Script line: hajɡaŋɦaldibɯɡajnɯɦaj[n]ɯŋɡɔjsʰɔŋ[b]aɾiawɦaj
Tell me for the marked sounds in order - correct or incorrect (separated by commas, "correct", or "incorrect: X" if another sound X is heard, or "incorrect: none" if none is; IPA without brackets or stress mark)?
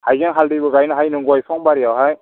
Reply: correct, correct